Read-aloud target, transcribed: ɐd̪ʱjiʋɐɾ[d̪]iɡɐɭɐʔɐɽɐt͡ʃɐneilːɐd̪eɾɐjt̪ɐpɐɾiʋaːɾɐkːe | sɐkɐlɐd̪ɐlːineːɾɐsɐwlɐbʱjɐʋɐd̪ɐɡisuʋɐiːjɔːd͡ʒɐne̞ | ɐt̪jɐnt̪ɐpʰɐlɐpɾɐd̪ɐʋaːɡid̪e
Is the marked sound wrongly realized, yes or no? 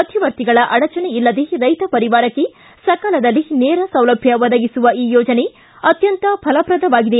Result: yes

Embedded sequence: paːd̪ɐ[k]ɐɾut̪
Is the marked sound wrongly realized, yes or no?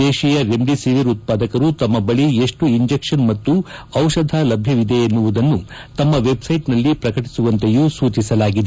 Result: no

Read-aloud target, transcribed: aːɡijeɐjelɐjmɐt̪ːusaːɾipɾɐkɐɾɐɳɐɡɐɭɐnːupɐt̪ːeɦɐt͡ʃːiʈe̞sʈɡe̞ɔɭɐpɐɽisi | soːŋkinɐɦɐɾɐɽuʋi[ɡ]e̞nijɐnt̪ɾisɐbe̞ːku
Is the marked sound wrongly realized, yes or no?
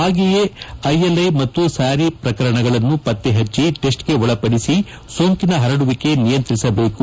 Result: yes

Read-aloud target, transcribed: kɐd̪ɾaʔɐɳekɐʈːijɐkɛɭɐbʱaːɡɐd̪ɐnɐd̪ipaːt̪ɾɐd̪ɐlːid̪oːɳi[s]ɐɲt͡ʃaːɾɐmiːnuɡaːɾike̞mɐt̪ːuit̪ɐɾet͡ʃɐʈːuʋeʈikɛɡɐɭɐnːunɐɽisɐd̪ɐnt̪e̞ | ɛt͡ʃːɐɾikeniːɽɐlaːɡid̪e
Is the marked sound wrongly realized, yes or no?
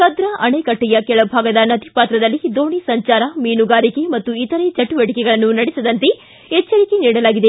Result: no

